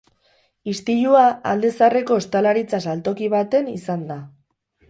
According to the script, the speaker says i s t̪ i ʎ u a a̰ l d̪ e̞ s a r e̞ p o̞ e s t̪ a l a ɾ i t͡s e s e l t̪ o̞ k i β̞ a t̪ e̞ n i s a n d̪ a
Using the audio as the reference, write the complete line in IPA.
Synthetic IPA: i s t̪ i ʎ u a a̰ l d̪ e̞ s a r e̞ k o̞ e s t̪ a l a ɾ i t͡s a s a l t̪ o̞ k i β̞ a t̪ e̞ n i s a n d̪ a